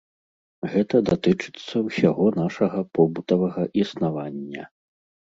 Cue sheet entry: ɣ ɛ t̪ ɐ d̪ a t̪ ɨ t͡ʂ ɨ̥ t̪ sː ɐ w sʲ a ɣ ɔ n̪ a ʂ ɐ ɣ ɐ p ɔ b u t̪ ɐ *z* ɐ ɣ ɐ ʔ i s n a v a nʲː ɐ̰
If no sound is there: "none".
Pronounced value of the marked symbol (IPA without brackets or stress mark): v